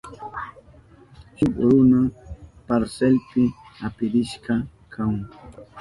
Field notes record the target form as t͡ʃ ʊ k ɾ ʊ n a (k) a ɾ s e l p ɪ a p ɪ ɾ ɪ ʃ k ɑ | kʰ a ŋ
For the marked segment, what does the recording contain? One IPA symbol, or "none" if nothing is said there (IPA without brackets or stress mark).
p